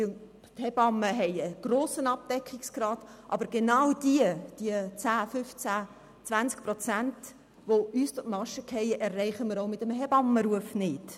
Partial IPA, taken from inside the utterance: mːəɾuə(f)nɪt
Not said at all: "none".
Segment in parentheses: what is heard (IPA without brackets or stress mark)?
f